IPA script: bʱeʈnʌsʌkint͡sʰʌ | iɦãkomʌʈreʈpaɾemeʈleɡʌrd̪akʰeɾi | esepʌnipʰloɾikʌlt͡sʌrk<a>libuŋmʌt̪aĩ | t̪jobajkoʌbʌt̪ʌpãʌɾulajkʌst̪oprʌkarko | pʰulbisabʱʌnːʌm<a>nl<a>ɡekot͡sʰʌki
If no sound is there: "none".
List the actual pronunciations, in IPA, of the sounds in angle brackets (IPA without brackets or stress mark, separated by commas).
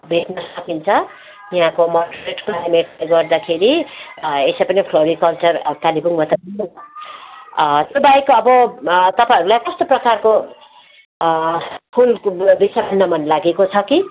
a, ʌ, a